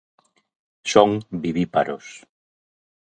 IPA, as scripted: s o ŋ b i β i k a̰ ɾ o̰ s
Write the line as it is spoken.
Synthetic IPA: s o ŋ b i β i p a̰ ɾ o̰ s